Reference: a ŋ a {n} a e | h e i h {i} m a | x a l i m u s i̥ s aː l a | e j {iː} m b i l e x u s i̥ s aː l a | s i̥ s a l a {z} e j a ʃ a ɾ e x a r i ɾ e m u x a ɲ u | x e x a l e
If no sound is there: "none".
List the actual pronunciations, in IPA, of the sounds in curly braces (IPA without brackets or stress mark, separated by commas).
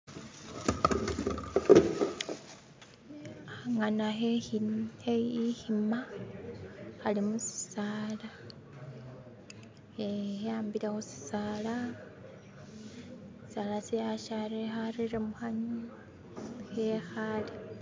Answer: n, i, aː, s